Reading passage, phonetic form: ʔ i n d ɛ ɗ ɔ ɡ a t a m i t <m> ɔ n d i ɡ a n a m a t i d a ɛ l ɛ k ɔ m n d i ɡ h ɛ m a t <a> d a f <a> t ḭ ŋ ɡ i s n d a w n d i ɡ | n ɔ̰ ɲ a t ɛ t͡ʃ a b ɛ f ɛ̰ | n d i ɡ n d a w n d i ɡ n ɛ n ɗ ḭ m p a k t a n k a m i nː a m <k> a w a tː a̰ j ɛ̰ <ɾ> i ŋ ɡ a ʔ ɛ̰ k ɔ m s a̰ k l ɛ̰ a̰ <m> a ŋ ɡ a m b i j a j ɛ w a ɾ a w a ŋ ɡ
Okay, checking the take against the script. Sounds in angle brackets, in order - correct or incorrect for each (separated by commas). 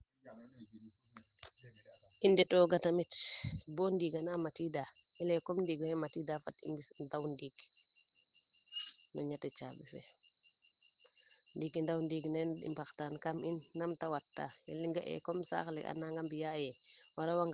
incorrect, incorrect, correct, incorrect, incorrect, incorrect